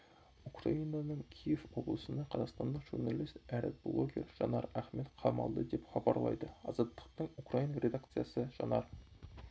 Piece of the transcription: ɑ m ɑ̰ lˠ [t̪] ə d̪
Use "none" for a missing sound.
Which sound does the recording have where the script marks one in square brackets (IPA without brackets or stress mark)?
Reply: d̪